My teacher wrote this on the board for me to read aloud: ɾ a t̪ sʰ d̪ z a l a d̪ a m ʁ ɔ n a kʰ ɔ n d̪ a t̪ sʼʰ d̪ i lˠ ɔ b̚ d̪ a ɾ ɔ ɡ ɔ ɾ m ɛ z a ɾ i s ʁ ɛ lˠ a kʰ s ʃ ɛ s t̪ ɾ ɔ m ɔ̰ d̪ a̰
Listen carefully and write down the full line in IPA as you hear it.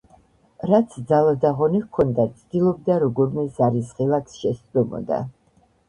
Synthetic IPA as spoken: ɾ a t̪ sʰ d̪ z a l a d̪ a ʁ ɔ n i kʰ ɔ n d̪ a t̪ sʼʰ d̪ i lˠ ɔ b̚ d̪ a ɾ ɔ ɡ ɔ ɾ m ɛ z a ɾ i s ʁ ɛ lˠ a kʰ s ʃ ɛ s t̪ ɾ ɔ m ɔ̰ d̪ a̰